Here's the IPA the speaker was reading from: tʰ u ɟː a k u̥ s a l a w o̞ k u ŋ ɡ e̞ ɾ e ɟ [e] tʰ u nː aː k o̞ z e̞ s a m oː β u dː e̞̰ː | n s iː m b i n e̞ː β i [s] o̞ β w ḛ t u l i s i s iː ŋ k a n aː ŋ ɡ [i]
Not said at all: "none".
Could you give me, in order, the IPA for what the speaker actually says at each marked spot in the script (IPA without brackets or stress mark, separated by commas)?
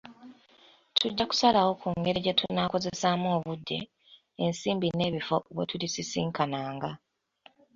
e, f, a